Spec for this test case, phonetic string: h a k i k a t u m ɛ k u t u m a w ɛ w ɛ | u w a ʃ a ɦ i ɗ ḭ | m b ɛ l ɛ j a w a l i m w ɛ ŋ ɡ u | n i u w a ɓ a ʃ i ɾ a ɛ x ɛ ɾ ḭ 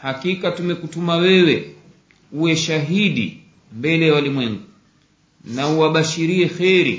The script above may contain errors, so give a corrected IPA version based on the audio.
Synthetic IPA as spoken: h a k i k a t u m ɛ k u t u m a w ɛ w ɛ | u w ɛ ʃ a ɦ i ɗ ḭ | m b ɛ l ɛ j a w a l i m w ɛ ŋ ɡ u | n a u w a ɓ a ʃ i ɾ i ɛ x ɛ ɾ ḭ